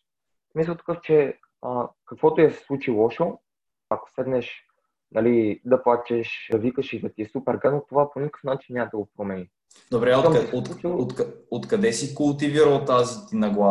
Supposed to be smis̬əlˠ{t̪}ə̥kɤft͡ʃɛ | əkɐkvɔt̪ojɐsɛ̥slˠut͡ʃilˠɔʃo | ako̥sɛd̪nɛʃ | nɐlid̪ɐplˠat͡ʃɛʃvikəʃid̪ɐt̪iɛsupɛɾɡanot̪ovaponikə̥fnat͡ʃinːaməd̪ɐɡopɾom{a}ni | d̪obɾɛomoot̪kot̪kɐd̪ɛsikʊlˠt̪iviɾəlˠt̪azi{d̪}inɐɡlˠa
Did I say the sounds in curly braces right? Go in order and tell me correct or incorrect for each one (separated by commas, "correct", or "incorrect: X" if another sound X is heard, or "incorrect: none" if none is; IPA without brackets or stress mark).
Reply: correct, incorrect: ɛ, incorrect: t̪